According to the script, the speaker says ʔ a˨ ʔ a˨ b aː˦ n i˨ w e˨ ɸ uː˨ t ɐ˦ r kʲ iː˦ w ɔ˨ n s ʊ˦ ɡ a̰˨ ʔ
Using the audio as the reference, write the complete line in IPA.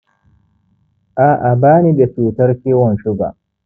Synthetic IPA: ʔ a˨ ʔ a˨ b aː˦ n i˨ b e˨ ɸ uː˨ t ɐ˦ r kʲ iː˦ w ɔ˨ n ʃ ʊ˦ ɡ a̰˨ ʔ